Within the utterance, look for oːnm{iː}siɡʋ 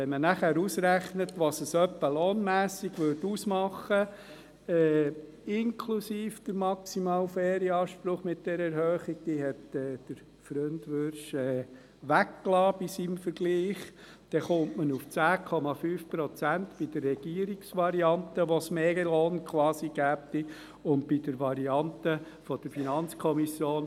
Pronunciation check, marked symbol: incorrect: æː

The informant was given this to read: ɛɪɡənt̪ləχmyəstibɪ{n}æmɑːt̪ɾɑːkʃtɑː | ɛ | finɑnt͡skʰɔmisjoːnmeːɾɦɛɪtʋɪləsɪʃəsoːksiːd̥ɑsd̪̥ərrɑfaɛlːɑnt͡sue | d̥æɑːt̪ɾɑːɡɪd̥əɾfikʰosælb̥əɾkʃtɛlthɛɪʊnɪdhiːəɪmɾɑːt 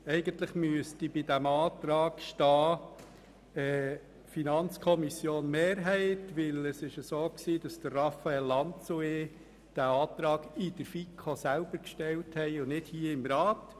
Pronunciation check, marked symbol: incorrect: d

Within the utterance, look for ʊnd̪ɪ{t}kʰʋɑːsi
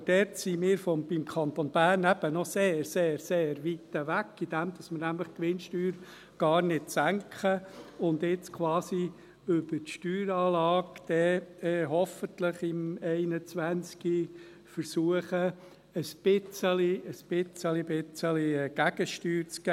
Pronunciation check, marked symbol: incorrect: t͡s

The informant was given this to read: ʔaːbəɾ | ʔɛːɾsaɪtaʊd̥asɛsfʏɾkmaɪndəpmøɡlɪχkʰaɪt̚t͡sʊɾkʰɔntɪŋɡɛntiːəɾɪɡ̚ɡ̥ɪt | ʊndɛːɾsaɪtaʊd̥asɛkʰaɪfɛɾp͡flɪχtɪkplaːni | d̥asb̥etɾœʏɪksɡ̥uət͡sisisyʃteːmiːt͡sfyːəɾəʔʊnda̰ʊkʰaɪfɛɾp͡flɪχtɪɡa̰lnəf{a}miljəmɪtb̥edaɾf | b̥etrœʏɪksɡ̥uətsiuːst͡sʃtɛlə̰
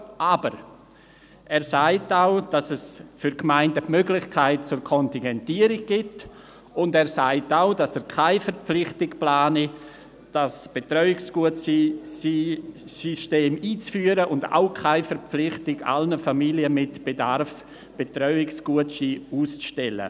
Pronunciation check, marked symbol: correct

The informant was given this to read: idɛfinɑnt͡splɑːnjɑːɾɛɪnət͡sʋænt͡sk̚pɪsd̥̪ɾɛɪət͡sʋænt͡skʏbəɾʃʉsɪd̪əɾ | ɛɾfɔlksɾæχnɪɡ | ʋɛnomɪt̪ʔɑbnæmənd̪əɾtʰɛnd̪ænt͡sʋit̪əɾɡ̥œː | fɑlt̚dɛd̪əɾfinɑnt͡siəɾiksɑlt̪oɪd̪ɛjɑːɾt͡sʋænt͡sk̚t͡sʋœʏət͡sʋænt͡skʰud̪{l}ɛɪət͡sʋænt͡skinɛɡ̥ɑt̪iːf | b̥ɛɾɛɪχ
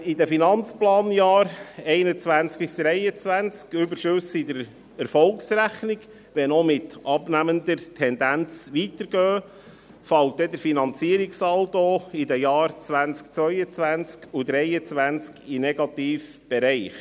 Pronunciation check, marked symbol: incorrect: ɾ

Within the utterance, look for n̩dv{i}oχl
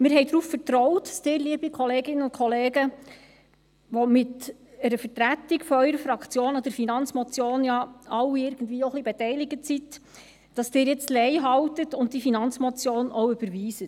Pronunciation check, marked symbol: incorrect: iː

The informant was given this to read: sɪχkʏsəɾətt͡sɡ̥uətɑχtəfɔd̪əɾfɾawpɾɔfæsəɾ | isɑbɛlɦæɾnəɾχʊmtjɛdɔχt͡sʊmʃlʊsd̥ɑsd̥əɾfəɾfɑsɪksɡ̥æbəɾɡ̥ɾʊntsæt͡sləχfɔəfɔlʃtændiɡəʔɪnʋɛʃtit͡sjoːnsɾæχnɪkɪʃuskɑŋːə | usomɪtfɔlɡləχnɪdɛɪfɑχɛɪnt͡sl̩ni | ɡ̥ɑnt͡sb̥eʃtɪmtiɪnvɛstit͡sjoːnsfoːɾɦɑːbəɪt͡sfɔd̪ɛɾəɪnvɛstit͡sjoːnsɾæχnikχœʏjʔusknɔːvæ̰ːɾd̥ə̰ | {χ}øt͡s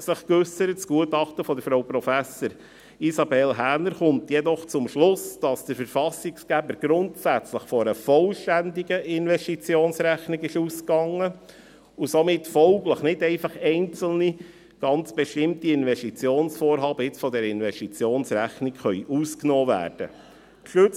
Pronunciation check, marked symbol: incorrect: ʃ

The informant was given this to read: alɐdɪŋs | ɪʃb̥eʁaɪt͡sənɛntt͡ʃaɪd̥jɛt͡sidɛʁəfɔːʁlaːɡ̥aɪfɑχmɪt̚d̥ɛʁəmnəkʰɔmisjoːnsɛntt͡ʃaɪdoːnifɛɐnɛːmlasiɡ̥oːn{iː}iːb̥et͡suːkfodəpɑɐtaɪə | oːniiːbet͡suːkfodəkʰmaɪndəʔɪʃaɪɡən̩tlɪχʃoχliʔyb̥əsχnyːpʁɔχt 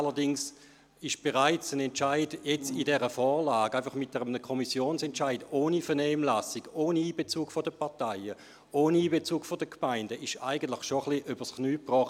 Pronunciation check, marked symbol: incorrect: i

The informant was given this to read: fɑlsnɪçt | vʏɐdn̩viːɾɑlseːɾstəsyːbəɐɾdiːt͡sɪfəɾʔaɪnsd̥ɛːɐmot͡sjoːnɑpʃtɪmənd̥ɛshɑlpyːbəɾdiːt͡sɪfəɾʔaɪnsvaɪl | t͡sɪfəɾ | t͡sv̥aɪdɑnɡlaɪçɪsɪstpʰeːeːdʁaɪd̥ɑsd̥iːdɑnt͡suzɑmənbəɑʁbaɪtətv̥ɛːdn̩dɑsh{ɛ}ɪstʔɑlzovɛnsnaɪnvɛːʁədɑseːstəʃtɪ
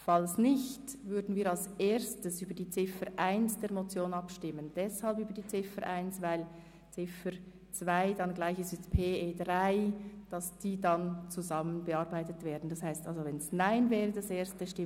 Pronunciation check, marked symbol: incorrect: a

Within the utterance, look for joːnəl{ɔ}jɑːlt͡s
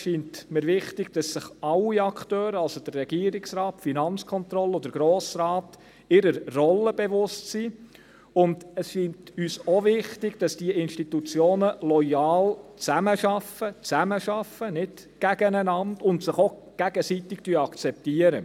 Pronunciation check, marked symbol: correct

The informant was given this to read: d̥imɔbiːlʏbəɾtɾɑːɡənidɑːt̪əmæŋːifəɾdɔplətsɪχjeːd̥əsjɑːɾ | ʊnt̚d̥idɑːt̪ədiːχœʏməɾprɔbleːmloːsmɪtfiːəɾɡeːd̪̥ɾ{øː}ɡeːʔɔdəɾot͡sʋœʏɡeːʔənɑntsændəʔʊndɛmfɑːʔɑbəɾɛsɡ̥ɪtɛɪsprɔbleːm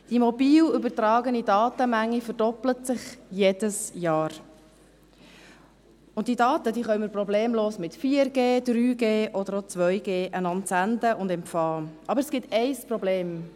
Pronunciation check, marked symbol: incorrect: yː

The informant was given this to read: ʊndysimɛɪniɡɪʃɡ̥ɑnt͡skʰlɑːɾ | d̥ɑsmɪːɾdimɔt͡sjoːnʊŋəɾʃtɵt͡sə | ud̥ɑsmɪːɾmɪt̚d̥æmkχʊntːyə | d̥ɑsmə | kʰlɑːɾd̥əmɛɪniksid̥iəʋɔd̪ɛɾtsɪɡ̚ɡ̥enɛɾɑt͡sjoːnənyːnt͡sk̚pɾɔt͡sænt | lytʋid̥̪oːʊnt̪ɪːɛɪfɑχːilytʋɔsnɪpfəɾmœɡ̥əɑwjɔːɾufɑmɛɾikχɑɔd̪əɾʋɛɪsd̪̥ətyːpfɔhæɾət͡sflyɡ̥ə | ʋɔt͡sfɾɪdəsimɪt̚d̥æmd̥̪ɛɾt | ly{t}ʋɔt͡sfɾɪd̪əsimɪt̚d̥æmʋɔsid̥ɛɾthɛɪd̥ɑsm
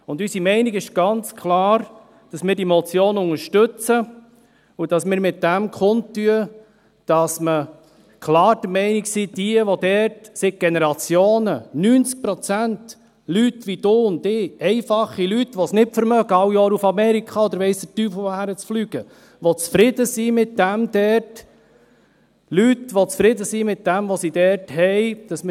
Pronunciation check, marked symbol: correct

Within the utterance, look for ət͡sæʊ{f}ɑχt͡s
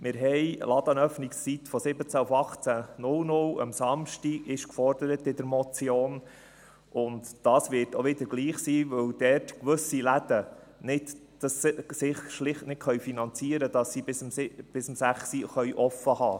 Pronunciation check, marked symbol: correct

